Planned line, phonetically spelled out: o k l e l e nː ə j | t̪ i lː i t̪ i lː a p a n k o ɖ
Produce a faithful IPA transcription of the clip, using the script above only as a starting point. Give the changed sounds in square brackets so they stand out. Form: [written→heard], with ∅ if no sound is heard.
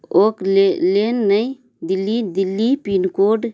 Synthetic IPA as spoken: o k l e l e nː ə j | [t̪→d̪] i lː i [t̪→d̪] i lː [a→i] p [a→i] n k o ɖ